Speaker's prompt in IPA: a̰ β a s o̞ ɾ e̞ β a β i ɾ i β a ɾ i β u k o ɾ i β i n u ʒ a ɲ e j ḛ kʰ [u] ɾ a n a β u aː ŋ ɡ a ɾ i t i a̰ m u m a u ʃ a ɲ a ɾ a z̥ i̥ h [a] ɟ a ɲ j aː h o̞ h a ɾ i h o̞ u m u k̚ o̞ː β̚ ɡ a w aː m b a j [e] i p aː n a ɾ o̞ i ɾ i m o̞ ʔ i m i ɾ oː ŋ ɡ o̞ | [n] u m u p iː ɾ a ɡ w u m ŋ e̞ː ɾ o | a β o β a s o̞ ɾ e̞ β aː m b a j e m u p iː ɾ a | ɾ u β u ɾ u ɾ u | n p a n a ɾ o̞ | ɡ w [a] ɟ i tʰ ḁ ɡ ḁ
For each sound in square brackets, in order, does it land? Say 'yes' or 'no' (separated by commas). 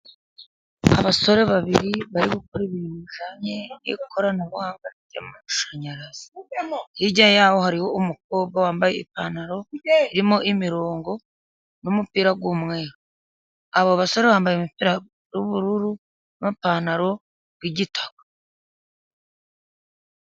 no, no, yes, yes, no